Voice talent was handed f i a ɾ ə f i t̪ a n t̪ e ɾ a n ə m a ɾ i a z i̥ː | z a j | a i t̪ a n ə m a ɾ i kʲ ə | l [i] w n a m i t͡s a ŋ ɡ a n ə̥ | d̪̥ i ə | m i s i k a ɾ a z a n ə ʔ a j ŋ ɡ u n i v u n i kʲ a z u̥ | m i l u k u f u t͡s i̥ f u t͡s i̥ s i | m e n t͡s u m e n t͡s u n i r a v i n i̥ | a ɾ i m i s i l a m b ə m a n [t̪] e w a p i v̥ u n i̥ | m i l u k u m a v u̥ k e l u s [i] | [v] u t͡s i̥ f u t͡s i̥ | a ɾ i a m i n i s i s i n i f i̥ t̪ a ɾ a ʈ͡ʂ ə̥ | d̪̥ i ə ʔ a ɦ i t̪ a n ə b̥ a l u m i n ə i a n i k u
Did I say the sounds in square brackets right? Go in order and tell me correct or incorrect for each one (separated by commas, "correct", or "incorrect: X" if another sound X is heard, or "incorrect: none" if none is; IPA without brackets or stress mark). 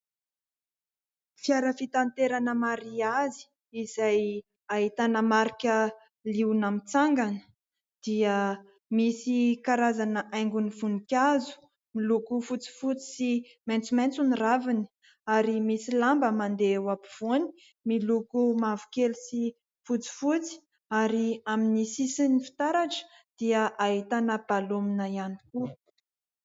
correct, incorrect: d̪, correct, incorrect: f